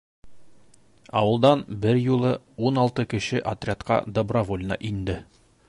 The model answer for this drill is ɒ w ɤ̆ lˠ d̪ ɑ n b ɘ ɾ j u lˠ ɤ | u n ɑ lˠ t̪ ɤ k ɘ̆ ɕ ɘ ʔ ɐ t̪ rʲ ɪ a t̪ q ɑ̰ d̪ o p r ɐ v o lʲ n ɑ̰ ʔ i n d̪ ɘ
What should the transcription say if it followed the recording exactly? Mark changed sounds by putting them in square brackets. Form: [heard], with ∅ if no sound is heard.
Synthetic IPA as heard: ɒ w ɤ̆ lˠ d̪ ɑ n b ɘ ɾ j u lˠ ɤ | u n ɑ lˠ t̪ ɤ k ɘ̆ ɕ ɘ ʔ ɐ t̪ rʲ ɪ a t̪ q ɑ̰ d̪ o [b] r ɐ v o lʲ n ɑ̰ ʔ i n d̪ ɘ